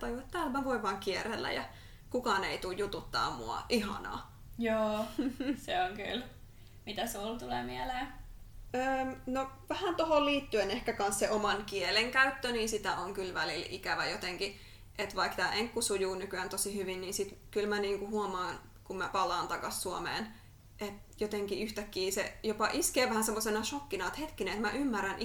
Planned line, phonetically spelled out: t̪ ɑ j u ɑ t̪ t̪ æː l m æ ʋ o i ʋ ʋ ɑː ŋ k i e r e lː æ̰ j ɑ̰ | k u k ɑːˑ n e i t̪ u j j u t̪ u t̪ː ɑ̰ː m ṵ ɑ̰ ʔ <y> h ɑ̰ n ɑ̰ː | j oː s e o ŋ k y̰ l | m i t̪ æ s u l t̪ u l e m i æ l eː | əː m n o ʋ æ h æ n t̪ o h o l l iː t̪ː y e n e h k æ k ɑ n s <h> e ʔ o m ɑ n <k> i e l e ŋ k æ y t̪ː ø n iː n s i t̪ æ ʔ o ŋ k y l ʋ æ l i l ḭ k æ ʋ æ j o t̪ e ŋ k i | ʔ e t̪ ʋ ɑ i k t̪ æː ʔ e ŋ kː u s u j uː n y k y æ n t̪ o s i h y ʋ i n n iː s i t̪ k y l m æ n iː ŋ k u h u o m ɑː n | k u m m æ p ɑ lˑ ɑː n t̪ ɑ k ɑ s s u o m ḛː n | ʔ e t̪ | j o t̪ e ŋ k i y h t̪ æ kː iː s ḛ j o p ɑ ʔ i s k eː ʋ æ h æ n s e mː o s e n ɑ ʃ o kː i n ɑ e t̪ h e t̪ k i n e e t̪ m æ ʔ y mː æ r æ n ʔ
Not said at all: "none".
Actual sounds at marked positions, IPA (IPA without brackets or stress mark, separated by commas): i, s, k